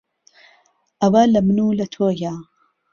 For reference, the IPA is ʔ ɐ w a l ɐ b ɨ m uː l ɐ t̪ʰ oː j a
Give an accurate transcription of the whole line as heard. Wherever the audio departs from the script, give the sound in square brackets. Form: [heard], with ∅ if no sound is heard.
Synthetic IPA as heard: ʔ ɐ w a l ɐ [m] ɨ [n] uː l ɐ t̪ʰ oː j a